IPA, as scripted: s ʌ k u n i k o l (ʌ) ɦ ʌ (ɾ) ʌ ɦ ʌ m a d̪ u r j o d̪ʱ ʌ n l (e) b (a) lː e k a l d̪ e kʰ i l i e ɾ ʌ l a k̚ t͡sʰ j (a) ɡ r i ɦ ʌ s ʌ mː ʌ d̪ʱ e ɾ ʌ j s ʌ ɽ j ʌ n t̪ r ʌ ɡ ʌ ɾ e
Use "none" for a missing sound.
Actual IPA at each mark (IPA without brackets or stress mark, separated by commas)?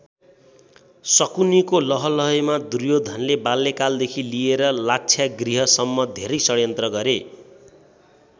ʌ, l, e, a, a